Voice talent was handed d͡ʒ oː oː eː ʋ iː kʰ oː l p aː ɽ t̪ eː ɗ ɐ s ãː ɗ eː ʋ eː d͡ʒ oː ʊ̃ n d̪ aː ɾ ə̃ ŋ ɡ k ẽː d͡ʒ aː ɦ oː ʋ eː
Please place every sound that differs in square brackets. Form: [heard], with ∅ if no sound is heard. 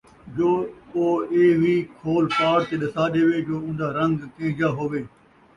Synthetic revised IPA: d͡ʒ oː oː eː ʋ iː kʰ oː l p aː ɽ t̪ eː ɗ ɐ s [aː] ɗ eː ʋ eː d͡ʒ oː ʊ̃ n d̪ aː ɾ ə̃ ŋ ɡ k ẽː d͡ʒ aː ɦ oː ʋ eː